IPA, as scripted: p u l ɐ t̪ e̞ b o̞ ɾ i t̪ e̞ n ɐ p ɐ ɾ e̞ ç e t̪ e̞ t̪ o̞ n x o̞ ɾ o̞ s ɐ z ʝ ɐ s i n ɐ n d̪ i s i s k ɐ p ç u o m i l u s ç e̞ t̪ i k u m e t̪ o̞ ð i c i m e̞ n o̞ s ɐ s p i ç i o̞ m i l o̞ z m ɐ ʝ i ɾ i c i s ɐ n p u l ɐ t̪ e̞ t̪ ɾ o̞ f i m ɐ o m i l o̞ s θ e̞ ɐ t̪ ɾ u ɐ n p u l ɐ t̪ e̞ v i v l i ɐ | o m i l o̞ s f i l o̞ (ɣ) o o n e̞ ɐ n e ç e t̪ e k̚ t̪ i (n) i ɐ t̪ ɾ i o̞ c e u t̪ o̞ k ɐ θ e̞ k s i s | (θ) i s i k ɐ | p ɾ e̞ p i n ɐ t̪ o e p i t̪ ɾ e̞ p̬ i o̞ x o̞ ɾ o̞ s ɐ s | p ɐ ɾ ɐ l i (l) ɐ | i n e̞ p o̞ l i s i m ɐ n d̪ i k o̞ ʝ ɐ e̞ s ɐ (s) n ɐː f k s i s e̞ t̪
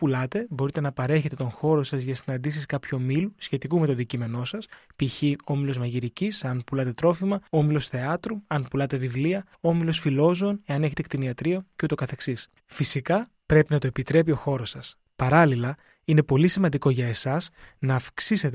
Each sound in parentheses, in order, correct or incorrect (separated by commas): incorrect, correct, incorrect, correct, correct